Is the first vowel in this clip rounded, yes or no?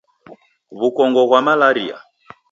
yes